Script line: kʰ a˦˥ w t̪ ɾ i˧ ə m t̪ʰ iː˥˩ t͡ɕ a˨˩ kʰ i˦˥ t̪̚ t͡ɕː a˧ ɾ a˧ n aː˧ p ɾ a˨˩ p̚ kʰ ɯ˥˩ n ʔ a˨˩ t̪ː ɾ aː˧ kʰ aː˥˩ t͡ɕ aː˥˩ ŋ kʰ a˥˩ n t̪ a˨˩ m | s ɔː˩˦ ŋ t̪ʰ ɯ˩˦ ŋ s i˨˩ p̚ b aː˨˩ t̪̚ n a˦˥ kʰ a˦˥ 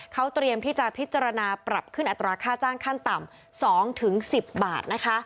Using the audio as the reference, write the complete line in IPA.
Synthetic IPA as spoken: kʰ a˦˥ w t̪ ɾ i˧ ə m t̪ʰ iː˥˩ t͡ɕ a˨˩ pʰ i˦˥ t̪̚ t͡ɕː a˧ ɾ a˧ n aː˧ p ɾ a˨˩ p̚ kʰ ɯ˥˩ n ʔ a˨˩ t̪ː ɾ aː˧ kʰ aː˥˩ t͡ɕ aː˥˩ ŋ kʰ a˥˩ n t̪ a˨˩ m | s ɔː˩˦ ŋ t̪ʰ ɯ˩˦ ŋ s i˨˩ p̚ b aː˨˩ t̪̚ n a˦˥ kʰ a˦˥